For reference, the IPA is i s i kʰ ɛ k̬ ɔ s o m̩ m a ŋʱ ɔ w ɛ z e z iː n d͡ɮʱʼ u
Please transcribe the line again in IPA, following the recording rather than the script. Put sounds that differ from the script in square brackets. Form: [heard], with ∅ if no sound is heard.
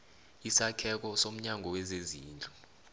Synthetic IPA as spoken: i s [a] kʰ ɛ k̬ ɔ s o m̩ [ɲ] a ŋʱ ɔ w ɛ z e z iː n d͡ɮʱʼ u